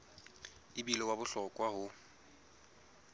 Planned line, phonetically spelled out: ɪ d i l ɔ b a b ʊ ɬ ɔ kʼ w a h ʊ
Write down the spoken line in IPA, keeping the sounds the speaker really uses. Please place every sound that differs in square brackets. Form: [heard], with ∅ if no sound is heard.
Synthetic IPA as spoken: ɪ [b] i l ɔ [w] a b ʊ ɬ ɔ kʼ w a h ʊ